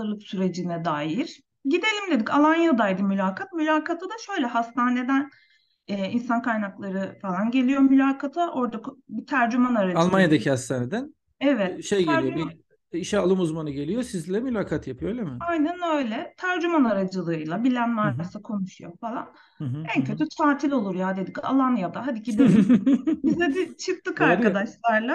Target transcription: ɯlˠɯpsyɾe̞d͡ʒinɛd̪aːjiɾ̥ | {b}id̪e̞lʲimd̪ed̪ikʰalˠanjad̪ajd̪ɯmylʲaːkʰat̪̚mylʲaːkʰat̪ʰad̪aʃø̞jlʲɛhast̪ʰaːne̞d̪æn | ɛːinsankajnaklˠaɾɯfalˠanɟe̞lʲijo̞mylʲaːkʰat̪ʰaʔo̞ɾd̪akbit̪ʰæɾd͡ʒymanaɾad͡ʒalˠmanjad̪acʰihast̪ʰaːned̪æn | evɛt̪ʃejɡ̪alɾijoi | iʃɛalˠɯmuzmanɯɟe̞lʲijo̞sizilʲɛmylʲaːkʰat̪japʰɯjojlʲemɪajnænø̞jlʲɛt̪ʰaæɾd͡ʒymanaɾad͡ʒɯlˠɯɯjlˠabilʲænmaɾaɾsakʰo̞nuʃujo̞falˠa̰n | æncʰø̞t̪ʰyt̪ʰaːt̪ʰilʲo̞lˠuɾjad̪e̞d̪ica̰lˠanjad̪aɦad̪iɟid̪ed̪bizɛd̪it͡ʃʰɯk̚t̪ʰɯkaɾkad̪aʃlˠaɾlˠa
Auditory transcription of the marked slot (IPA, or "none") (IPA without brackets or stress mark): ɟ